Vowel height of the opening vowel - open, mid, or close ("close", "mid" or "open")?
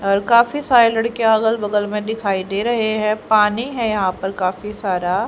mid